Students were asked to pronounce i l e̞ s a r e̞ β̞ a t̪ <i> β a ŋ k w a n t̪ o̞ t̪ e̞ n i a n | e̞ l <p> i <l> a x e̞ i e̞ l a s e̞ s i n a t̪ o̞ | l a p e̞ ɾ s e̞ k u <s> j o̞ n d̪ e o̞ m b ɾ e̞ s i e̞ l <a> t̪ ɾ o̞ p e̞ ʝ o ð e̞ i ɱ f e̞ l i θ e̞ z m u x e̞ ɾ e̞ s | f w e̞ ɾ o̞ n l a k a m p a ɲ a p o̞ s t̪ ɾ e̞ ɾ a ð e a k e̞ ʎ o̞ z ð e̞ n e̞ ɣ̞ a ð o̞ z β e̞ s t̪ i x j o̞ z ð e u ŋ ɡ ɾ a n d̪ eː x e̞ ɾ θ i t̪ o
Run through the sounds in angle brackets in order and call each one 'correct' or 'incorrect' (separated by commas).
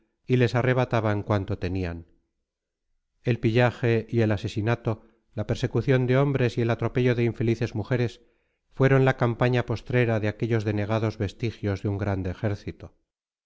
incorrect, correct, incorrect, incorrect, correct